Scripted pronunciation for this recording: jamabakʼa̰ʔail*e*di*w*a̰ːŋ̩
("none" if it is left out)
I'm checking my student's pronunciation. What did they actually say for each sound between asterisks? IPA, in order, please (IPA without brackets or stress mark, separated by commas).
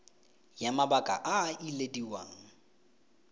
e, w